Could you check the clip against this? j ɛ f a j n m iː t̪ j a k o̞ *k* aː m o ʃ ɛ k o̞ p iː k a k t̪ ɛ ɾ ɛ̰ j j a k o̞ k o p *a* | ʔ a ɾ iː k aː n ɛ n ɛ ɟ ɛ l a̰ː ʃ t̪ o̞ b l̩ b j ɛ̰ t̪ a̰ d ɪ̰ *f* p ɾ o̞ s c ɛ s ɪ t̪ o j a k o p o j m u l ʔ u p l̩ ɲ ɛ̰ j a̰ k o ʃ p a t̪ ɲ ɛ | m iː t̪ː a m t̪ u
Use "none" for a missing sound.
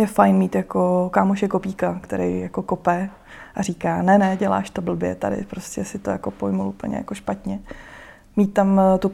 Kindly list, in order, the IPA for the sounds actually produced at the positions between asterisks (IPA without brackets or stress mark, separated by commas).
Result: k, ɛ, none